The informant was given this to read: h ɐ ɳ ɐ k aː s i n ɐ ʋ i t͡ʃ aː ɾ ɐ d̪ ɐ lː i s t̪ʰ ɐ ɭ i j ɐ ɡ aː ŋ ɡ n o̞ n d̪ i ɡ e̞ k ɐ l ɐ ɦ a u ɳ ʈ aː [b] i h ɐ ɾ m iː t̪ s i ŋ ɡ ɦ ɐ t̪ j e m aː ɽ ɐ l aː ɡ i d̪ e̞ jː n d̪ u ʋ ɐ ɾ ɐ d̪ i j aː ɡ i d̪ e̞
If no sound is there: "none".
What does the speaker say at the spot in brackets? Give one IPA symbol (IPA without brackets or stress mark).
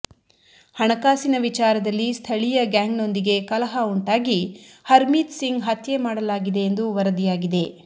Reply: ɡ